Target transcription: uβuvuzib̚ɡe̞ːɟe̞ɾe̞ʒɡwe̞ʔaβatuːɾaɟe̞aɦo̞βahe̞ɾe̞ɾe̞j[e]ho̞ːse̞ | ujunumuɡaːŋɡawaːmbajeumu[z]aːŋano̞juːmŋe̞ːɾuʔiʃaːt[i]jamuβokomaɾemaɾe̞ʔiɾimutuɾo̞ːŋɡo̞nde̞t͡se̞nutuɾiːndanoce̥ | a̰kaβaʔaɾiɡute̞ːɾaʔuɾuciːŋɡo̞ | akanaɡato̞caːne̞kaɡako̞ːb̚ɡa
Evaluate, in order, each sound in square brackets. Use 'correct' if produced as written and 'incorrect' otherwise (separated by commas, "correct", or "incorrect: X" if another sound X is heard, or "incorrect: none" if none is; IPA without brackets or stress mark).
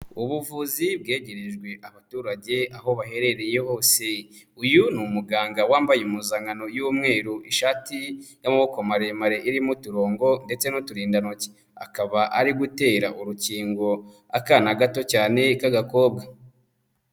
correct, correct, correct